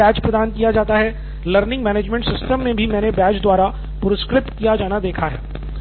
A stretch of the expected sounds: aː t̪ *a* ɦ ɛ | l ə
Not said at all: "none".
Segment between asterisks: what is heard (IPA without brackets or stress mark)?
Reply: a